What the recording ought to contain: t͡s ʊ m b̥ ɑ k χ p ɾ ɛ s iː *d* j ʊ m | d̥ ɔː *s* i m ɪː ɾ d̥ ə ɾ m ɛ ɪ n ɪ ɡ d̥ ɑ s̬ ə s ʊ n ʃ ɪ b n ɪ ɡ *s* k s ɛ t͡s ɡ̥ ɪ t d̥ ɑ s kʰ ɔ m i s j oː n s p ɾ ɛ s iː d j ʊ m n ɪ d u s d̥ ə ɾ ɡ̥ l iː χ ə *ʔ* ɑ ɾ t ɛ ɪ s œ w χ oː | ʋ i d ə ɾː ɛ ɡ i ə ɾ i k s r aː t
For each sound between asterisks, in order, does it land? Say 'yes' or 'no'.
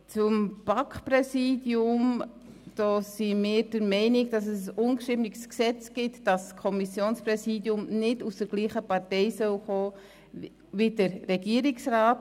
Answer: yes, yes, yes, no

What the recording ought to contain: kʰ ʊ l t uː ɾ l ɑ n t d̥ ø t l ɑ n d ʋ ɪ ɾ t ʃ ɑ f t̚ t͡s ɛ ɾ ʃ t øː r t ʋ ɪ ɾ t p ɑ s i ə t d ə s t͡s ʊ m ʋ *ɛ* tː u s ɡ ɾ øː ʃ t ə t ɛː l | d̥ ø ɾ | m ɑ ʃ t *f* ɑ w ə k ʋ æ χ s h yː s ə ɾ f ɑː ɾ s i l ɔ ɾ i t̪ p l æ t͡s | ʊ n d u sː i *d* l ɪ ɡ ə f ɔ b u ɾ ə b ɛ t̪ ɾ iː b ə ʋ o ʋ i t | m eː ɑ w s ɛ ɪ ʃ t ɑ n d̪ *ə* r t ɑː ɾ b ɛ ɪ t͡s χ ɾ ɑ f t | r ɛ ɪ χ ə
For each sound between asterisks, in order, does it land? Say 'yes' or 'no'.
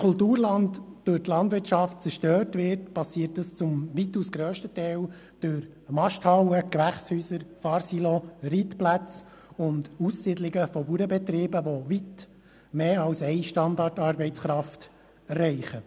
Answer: no, no, yes, no

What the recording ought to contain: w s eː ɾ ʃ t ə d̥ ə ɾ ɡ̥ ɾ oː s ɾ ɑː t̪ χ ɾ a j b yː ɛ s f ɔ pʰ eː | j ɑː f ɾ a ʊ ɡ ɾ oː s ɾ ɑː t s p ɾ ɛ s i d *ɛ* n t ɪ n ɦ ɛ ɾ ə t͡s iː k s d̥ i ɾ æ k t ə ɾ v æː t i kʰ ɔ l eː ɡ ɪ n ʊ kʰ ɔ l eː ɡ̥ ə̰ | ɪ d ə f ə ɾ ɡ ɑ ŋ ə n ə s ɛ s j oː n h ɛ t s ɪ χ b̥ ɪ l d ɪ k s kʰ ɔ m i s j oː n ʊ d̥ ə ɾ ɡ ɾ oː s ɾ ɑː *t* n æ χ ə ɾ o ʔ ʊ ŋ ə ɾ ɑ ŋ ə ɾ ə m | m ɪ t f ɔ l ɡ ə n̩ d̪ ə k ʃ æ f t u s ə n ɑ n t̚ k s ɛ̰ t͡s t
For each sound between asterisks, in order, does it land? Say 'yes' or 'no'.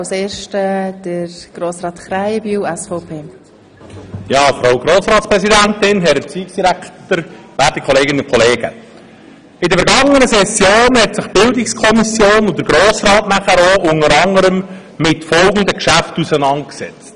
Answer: no, yes

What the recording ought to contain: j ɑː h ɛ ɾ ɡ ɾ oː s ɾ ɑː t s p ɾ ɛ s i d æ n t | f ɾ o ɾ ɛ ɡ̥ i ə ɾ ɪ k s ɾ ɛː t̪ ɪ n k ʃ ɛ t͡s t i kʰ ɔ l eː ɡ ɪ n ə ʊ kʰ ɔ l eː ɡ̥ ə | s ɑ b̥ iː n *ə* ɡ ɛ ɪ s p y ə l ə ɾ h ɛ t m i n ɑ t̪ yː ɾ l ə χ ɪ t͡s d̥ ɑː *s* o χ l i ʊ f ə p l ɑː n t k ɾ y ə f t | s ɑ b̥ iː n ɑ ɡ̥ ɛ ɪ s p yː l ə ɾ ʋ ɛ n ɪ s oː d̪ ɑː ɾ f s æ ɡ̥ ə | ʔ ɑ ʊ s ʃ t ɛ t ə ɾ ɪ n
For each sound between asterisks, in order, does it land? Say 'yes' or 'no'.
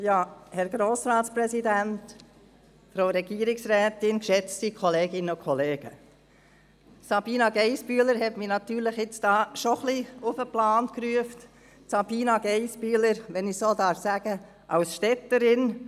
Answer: no, no

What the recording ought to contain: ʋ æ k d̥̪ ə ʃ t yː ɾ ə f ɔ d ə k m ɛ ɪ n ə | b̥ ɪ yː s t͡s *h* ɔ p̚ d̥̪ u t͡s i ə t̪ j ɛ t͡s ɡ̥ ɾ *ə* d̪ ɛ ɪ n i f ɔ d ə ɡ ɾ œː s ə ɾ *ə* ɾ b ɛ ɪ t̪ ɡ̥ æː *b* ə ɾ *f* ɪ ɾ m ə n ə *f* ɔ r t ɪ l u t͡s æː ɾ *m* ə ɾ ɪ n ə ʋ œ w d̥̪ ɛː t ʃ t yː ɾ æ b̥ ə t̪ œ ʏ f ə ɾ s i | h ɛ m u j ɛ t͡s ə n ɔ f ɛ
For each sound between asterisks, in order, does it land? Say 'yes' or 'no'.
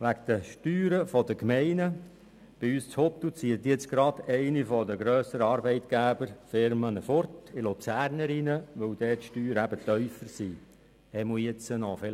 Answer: yes, no, no, yes, yes, yes, no

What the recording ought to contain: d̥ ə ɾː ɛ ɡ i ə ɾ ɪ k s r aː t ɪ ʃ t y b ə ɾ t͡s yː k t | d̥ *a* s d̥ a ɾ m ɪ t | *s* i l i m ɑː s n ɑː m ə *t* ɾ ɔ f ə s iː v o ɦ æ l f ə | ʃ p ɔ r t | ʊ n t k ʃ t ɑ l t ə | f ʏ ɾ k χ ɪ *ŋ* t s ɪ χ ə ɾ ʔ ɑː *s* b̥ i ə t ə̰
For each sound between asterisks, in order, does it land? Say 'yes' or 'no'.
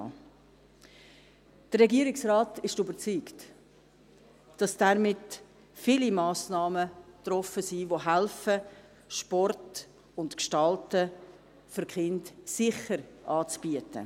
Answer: no, no, yes, no, no

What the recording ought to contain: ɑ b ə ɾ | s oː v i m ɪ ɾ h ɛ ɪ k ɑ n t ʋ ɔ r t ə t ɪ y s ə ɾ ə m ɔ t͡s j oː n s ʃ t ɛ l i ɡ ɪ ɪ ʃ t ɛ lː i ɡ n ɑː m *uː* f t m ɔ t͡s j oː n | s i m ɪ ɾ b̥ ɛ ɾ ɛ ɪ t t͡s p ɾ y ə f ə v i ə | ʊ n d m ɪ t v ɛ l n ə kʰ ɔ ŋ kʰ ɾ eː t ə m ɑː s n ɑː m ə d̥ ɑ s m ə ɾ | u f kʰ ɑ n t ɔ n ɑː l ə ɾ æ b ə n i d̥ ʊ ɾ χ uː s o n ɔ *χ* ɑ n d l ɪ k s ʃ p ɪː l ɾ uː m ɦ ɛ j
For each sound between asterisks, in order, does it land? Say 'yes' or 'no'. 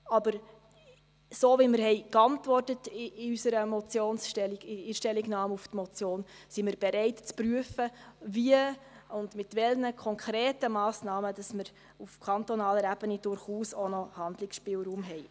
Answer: no, no

